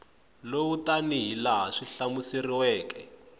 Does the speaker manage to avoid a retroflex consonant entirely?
no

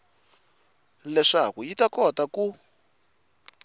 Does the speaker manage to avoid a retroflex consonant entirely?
no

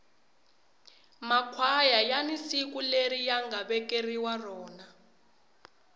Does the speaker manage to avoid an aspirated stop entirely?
no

